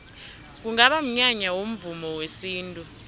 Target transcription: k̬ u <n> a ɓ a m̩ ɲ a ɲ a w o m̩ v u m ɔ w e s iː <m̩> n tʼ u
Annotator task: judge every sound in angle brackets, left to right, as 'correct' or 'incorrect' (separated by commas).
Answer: incorrect, incorrect